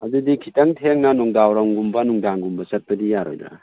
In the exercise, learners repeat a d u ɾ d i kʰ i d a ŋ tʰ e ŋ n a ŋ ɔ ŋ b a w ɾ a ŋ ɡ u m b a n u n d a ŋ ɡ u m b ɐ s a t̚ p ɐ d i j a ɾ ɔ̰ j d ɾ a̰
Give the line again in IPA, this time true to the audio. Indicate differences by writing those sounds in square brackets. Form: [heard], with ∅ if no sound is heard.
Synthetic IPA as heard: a d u [∅] d i kʰ i [t] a ŋ tʰ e ŋ n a [n] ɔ ŋ [d] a w ɾ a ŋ ɡ u m b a n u [ŋ] d a ŋ ɡ u m b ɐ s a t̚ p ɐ d i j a ɾ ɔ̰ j d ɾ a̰